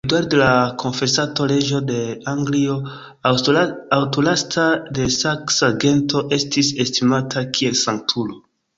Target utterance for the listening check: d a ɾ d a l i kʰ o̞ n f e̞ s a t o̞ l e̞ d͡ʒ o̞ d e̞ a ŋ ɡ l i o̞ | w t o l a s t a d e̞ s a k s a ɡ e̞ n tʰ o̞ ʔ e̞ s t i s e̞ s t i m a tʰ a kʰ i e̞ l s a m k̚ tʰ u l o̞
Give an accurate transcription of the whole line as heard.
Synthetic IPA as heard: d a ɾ d e l a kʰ o̞ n f e̞ s a t o̞ l e̞ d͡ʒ o̞ d e̞ a ŋ ɡ l i o̞ | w t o l a s t a d e̞ s a k s a ɡ e̞ n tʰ o̞ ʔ e̞ s t i s e̞ s t i m a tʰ a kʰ i e̞ l s a ŋ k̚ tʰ u l o̞